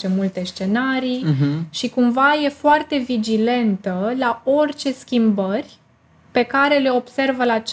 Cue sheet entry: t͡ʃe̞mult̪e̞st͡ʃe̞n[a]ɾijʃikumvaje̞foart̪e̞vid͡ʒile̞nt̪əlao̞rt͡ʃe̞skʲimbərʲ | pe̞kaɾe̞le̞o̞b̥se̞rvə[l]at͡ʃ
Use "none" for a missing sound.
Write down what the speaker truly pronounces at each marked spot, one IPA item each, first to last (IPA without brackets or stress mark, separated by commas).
a, l